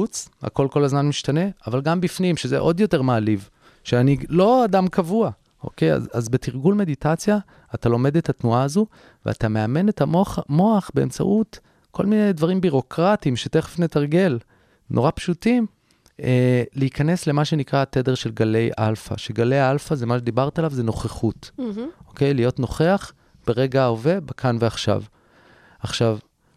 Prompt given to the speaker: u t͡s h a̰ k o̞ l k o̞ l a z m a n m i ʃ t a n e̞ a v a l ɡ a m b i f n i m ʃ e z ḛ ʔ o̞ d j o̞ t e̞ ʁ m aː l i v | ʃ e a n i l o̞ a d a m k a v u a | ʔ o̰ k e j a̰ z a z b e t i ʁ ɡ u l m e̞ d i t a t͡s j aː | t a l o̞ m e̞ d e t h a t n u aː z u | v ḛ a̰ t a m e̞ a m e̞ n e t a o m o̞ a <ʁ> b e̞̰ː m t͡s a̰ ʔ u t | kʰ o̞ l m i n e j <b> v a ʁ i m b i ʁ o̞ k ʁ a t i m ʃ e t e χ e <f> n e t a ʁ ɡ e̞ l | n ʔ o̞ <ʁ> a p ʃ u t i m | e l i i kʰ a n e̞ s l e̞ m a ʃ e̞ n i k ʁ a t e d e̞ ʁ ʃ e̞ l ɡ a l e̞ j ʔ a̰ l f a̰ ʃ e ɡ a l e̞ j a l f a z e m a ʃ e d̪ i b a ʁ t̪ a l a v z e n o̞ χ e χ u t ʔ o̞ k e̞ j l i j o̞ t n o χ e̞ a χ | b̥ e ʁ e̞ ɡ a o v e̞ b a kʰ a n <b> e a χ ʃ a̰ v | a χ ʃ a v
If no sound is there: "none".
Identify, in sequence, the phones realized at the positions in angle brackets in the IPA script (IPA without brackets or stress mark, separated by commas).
χ, d, f, ʁ, v